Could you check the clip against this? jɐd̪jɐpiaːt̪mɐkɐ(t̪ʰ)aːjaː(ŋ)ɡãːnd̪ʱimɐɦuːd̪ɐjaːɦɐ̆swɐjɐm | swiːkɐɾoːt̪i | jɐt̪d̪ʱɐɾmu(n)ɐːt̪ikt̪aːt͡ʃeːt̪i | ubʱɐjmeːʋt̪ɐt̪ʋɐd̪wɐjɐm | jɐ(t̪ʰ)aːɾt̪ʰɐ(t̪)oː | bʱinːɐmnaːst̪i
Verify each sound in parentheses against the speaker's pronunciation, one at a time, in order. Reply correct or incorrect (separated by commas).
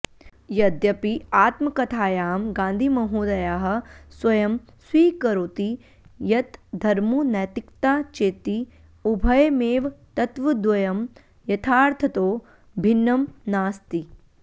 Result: correct, incorrect, correct, correct, correct